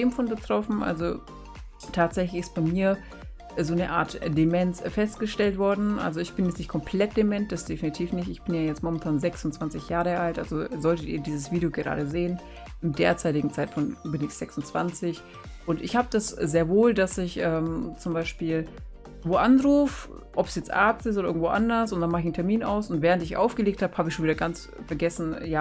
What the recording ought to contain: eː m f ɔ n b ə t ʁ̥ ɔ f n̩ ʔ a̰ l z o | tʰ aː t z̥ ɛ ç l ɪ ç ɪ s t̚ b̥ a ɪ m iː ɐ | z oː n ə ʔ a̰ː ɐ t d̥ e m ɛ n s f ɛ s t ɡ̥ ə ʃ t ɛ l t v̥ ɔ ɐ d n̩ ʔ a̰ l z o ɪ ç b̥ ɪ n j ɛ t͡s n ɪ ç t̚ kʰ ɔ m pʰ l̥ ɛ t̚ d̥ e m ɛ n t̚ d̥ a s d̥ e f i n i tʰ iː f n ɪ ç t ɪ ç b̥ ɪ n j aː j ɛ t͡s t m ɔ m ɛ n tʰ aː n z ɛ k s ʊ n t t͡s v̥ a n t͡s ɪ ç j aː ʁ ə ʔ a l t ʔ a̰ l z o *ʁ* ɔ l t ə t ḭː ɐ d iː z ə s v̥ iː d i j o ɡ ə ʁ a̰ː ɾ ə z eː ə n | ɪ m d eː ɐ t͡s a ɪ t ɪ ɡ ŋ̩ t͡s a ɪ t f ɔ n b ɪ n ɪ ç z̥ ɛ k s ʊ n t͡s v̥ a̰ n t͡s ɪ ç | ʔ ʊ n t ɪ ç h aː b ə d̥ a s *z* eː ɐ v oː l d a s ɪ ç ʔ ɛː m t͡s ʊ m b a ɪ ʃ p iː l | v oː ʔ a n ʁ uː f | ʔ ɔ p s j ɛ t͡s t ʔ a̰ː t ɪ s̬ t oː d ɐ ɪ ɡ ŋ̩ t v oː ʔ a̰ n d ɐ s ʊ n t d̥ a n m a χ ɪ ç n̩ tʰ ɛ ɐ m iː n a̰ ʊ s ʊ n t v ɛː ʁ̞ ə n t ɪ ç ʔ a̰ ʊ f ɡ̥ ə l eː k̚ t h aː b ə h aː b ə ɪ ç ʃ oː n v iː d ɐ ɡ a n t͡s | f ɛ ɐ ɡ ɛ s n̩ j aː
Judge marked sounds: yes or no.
no, yes

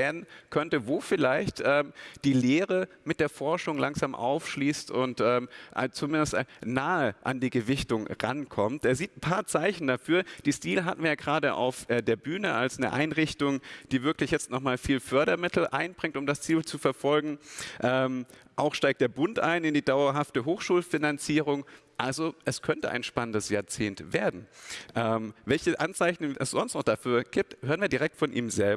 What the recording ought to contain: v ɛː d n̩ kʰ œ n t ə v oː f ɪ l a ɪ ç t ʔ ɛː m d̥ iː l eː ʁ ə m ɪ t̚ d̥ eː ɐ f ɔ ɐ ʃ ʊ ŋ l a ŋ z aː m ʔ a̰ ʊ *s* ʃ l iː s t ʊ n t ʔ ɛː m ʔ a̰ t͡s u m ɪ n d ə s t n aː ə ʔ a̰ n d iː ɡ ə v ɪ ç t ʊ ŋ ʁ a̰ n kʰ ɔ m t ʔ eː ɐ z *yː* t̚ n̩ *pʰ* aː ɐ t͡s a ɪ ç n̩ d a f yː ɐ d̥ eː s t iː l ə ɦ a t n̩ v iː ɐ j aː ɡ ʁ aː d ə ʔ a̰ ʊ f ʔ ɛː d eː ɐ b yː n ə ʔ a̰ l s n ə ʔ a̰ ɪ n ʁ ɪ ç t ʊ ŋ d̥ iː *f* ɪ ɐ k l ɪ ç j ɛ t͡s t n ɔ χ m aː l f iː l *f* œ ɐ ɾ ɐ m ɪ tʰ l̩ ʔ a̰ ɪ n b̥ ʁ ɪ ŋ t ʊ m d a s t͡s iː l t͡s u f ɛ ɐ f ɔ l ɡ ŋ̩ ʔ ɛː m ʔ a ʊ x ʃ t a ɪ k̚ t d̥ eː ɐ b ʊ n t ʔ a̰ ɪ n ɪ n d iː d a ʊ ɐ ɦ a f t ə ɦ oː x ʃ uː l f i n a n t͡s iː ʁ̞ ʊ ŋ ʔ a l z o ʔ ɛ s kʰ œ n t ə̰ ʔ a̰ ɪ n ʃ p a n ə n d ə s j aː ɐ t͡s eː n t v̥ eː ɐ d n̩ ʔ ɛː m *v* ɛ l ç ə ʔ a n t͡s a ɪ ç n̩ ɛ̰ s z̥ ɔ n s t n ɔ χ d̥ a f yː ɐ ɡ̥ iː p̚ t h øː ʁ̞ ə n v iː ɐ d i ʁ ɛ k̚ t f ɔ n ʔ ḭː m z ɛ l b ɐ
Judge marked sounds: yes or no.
no, no, yes, no, yes, yes

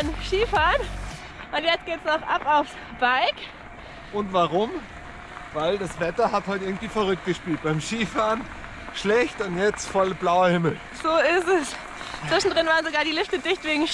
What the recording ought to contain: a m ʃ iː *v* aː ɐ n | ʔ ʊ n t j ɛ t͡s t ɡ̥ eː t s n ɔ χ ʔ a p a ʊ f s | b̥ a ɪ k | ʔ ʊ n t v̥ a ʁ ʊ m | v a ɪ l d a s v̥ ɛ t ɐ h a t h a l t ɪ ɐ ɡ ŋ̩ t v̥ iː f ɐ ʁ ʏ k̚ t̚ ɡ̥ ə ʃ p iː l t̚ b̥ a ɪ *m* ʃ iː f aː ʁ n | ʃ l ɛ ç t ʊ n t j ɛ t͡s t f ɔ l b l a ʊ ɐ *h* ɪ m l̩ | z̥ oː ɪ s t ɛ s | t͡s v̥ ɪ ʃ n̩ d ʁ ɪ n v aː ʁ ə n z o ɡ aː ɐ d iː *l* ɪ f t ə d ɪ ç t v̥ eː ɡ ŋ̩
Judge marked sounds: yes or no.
no, yes, yes, yes

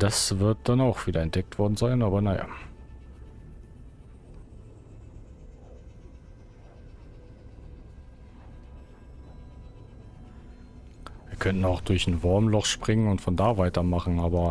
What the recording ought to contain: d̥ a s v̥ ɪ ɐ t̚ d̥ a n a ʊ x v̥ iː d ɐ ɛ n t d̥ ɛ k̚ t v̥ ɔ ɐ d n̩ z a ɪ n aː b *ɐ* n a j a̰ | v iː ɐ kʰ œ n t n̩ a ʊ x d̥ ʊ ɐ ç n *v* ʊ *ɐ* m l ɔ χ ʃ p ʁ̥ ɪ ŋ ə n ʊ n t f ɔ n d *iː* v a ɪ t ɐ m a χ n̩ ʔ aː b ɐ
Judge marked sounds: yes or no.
yes, yes, yes, no

